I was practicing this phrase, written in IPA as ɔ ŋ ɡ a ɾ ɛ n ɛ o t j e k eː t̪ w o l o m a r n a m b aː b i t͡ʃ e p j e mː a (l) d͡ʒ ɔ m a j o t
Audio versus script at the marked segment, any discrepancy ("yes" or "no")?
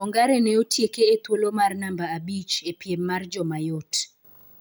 yes